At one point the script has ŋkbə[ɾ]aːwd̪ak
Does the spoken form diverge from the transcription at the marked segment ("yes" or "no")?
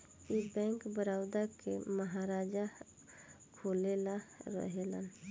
no